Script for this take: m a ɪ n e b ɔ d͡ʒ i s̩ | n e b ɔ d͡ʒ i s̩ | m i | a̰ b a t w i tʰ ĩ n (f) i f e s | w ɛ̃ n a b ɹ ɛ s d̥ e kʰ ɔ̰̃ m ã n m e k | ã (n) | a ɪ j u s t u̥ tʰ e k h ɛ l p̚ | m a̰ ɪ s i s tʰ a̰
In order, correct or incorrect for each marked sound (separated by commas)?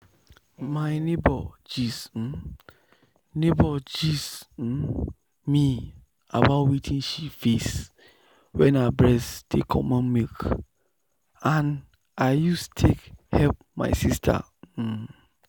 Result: incorrect, correct